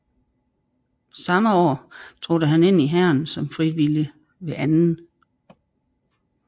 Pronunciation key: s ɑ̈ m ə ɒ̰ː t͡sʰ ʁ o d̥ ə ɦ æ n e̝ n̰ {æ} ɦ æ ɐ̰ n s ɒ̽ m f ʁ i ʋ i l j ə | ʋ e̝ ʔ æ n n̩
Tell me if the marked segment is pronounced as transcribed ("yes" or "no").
no